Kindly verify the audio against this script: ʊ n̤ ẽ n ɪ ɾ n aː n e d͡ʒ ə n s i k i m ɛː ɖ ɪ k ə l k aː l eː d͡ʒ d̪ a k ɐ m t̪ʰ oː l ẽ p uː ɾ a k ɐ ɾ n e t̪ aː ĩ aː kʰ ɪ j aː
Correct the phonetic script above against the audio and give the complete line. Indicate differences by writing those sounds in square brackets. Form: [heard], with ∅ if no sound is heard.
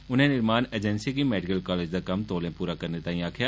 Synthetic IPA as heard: ʊ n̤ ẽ n ɪ ɾ [m] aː n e d͡ʒ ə n s i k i m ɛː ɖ ɪ k ə l k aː l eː d͡ʒ d̪ a k ɐ m [t̪] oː l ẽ p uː ɾ a k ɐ ɾ n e t̪ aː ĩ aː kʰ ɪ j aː